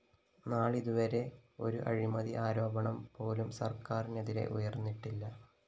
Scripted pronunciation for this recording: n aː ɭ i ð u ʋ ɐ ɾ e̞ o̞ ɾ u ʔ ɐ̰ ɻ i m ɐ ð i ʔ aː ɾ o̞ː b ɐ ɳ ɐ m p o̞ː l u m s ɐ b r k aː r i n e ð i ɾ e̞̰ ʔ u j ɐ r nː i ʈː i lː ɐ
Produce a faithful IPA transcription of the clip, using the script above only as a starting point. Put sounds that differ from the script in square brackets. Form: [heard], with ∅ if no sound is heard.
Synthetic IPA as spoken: n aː ɭ i ð u ʋ ɐ ɾ e̞ o̞ ɾ u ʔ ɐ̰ ɻ i m ɐ ð i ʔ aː ɾ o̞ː b ɐ ɳ ɐ m p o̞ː l u m s ɐ [∅] r k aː r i n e ð i ɾ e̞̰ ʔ u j ɐ r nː i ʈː i lː ɐ

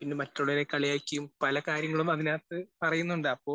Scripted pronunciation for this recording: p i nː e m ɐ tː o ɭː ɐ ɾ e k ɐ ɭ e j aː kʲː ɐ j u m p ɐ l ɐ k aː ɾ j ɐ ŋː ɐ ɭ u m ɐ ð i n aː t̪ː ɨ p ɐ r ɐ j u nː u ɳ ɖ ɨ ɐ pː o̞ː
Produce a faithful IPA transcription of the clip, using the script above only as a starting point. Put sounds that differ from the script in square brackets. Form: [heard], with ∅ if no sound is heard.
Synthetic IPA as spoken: p i nː e m ɐ tː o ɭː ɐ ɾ e k ɐ ɭ [i] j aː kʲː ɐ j u m p ɐ l ɐ k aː ɾ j ɐ ŋː ɐ ɭ u m ɐ ð i n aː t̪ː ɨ p ɐ r ɐ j u nː u ɳ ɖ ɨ ɐ pː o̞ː

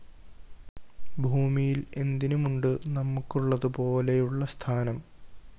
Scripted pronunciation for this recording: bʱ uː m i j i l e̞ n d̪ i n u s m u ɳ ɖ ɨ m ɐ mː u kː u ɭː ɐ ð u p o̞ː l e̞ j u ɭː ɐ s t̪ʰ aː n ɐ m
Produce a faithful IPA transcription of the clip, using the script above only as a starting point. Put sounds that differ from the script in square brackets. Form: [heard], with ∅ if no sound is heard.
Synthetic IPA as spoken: bʱ uː m i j i l e̞ n d̪ i n u [∅] m u ɳ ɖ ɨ [n] ɐ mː u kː u ɭː ɐ ð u p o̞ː l e̞ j u ɭː ɐ s t̪ʰ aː n ɐ m

